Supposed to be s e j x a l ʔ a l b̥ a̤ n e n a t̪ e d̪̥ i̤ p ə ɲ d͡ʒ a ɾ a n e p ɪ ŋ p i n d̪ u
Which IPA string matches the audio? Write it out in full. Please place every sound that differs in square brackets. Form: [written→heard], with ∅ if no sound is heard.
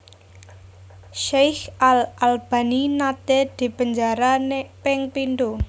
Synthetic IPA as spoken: [s→ʃ] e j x a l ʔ a l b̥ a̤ n [e→i] n a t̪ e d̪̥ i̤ p ə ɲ d͡ʒ a ɾ a n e p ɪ ŋ p i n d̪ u